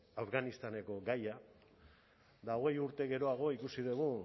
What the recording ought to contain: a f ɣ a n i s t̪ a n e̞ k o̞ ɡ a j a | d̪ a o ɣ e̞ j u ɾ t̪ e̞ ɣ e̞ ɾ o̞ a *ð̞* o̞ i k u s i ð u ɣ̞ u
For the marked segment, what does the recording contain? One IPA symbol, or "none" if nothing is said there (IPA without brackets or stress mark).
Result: ɣ̞